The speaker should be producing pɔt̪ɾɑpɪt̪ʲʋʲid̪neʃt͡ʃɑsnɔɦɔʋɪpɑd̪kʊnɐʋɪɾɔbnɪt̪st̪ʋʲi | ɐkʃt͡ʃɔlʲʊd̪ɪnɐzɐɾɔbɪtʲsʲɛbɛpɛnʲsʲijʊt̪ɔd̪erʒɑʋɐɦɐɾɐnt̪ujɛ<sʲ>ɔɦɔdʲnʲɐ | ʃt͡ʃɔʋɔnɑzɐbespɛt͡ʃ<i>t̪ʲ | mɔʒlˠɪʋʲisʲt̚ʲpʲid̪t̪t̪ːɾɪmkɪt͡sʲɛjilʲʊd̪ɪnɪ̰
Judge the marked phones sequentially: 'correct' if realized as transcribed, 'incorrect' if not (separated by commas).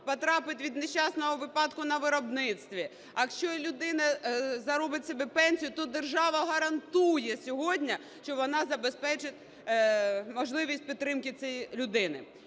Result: correct, incorrect